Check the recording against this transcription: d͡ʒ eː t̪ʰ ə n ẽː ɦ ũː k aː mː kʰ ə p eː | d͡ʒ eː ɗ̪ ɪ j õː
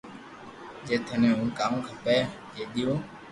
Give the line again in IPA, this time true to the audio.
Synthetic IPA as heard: d͡ʒ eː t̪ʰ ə n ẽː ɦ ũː k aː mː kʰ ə p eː | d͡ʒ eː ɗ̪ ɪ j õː